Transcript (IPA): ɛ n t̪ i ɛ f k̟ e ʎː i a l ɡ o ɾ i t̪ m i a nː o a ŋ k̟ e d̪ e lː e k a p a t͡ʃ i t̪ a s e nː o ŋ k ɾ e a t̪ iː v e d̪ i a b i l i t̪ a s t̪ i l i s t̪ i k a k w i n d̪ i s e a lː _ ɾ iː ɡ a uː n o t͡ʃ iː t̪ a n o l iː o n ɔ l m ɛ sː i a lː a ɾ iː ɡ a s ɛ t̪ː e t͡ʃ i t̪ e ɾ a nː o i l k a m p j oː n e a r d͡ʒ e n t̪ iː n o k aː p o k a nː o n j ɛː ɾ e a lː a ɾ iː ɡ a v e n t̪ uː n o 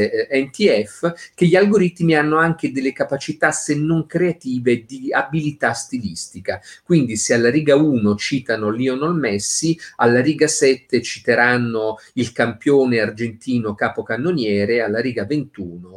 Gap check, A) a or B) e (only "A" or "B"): A